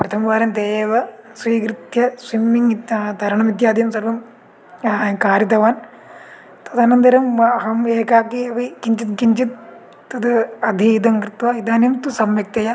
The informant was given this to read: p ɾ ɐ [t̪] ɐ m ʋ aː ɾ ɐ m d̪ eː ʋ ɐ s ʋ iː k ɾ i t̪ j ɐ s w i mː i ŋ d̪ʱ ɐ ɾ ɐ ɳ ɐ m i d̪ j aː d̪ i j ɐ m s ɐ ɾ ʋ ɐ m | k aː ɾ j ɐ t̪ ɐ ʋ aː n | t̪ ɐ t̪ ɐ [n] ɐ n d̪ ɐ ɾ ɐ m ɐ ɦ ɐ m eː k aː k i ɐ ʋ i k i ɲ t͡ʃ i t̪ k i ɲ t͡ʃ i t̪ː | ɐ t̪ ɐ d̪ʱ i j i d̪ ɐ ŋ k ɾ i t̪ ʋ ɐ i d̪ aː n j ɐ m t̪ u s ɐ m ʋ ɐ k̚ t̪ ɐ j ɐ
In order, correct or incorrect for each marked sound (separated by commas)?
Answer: incorrect, correct